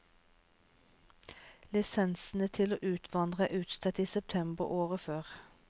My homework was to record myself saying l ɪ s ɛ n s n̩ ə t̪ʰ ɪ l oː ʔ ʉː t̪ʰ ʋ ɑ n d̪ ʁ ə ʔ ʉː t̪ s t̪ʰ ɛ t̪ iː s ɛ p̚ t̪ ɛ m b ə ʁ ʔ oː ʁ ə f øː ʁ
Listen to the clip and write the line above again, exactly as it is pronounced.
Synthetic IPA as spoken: l ɪ s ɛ n s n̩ ə t̪ʰ ɪ l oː ʔ ʉː t̪ʰ ʋ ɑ n d̪ ʁ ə ʔ ʉː t̪ s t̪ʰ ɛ t̪ iː s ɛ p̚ t̪ʰ ɛ m b ə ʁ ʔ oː ʁ ə f øː ʁ